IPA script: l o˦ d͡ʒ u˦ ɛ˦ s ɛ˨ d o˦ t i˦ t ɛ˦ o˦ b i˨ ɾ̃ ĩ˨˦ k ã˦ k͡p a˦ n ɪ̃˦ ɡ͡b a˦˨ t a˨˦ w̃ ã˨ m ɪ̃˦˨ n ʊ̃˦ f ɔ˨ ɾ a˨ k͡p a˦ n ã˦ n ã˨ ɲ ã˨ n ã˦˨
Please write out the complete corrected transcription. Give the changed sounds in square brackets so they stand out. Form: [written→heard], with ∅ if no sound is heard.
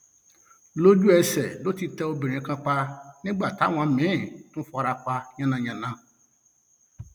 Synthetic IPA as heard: l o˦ d͡ʒ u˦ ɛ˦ s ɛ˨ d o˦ t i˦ t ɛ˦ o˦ b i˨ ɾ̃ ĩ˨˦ k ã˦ k͡p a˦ n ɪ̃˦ ɡ͡b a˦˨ t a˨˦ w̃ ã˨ m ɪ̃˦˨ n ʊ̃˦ f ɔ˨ ɾ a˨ k͡p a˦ [n→ɲ] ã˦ n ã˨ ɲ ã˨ n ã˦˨

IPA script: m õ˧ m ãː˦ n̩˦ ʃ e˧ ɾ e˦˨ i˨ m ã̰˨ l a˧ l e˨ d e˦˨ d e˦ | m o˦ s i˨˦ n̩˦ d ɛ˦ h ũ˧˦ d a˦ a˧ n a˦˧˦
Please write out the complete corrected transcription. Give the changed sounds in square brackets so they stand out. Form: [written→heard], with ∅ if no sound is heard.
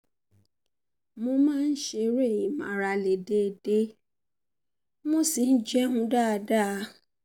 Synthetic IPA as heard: m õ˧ m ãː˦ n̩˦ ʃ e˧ ɾ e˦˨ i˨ m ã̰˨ [l→ɾ] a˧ l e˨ d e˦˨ d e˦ | m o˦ s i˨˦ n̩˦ [d→d͡ʒ] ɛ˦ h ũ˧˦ d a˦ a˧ [n→d] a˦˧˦

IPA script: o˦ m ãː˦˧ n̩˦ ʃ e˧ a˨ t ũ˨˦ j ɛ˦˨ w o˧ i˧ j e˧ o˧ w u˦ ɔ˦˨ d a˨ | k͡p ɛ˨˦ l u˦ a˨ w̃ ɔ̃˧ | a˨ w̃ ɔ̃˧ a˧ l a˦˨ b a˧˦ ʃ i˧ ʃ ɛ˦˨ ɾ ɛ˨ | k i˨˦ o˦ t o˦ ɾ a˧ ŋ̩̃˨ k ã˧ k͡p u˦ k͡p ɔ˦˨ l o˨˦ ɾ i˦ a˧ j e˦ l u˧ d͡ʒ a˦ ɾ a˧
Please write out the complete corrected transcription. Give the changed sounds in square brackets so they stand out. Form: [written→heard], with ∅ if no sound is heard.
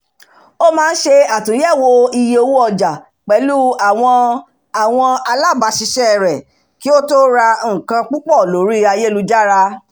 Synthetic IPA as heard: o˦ m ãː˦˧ n̩˦ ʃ e˧ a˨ t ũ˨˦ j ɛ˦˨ w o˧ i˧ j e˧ o˧ w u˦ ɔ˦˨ [d→d͡ʒ] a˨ | k͡p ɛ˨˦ l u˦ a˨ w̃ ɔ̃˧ | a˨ w̃ ɔ̃˧ a˧ l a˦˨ b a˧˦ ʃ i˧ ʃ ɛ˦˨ ɾ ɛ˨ | k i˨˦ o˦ t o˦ ɾ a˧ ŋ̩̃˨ k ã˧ k͡p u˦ k͡p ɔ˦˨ l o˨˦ ɾ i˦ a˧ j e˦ l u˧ d͡ʒ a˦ ɾ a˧

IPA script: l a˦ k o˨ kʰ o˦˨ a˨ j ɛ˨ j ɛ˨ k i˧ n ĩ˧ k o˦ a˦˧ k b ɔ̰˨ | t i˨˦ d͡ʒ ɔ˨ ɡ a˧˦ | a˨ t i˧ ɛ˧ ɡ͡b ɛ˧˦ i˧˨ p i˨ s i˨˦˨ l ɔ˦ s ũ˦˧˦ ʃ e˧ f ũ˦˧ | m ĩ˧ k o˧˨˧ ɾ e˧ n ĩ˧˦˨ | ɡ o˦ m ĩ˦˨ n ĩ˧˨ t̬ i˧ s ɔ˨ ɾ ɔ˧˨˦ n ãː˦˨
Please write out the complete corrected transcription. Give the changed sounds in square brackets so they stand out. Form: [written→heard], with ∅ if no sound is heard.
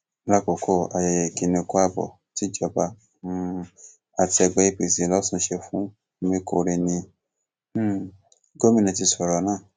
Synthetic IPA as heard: l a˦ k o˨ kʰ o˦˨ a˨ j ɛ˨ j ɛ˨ k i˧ n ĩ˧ k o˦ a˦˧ [k→∅] b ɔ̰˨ | t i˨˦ d͡ʒ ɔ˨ [ɡ→b] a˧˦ | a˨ t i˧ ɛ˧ ɡ͡b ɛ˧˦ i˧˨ p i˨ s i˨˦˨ l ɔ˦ s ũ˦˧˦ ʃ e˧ f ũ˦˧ | m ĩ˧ k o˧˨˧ ɾ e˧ n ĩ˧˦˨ | ɡ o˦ m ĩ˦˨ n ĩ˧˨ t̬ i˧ s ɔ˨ ɾ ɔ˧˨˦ n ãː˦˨

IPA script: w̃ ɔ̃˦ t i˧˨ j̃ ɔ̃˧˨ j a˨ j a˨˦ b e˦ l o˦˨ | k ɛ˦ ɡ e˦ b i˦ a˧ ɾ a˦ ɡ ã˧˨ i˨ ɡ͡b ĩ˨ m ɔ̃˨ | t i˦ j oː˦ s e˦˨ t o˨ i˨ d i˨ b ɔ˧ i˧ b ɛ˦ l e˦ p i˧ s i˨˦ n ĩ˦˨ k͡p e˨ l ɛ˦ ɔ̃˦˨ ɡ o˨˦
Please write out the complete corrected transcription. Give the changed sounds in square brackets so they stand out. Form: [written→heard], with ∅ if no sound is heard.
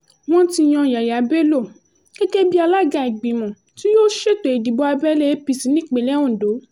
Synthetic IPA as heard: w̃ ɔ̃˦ t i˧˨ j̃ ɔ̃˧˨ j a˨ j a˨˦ b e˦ l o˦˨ | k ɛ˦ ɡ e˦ b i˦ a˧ [ɾ→l] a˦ ɡ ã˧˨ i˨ ɡ͡b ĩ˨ m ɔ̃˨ | t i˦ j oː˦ [s→ʃ] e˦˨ t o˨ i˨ d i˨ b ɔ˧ [i˧→a˧] b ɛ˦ l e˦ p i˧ s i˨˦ n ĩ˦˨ k͡p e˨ l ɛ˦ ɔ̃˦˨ [ɡ→d] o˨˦

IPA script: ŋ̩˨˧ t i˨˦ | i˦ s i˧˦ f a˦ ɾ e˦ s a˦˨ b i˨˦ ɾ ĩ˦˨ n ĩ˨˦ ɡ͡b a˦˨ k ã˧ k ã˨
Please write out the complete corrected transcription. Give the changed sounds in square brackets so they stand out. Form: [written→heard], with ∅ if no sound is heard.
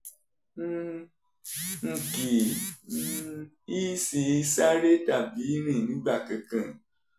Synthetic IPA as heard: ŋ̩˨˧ [t→k] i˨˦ | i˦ s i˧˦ [f→s] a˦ ɾ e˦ [s→t] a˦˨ b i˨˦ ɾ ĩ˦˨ n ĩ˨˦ ɡ͡b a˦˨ k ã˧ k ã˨

